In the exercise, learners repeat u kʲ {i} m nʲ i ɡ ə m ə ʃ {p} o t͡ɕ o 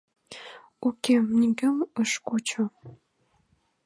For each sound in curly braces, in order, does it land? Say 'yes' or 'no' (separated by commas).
no, no